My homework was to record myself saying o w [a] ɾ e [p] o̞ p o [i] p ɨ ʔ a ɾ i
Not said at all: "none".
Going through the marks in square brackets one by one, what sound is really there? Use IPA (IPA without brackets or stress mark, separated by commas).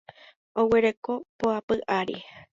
e, k, a